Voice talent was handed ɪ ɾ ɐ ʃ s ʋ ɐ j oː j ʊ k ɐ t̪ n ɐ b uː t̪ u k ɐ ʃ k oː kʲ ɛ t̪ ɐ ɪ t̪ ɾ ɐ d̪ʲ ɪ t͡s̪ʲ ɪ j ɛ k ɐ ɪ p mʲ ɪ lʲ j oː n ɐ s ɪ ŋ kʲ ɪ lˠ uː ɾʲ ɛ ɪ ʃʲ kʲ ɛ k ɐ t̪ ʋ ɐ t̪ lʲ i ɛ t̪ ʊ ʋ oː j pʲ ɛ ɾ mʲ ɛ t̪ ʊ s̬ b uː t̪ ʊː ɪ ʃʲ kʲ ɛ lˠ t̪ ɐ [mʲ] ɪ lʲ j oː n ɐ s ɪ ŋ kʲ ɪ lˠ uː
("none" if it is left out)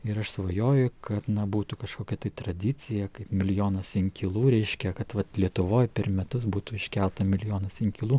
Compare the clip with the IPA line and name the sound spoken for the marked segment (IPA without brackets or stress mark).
mʲ